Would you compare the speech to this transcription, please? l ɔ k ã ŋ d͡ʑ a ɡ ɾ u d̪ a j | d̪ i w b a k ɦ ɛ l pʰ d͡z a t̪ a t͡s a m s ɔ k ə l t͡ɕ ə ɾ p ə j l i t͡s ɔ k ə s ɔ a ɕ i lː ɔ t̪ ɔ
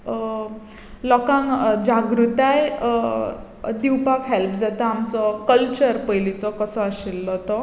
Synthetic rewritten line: l ɔ k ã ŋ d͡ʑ a ɡ ɾ u t̪ a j | d̪ i w p a k ɦ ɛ l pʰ d͡z a t̪ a a m t͡s ɔ k ə l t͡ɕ ə ɾ p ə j l i t͡s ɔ k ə s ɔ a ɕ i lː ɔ t̪ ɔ